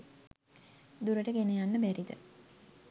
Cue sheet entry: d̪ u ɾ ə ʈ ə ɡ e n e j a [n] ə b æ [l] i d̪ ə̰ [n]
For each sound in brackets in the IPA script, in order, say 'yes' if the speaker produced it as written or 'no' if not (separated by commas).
no, no, no